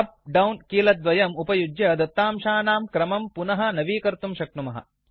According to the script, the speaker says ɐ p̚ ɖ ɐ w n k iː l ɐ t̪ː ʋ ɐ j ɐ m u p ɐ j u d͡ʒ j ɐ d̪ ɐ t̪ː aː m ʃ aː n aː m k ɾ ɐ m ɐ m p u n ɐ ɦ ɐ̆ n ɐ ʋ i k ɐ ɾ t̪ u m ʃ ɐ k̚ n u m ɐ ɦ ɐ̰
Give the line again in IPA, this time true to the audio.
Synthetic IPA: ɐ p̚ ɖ ɐ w n k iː l ɐ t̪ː ʋ ɐ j ɐ m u p ɐ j u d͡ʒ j ɐ d̪ ɐ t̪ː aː m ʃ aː n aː m k ɾ ɐ m ɐ m p u n ɐ ɦ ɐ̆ n ɐ ʋ iː k ɐ ɾ t̪ u m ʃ ɐ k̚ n u m ɐ ɦ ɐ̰